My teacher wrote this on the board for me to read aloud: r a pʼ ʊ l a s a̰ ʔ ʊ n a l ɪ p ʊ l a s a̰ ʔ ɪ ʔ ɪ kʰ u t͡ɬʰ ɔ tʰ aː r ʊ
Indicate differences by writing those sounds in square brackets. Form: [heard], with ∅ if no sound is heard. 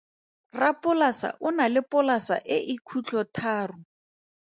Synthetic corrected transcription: r a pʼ ʊ l a s a̰ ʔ ʊ n a l ɪ p ʊ l a s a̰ ʔ ɪ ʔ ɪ kʰ u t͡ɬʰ ɔ tʰ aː r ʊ